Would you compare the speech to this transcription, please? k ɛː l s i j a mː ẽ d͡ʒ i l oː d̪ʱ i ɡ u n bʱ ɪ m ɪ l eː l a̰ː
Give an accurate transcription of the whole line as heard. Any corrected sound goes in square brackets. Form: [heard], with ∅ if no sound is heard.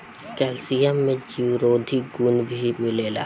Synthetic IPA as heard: k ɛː l s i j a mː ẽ d͡ʒ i [ɾ] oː d̪ʱ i ɡ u n bʱ [i] m ɪ l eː l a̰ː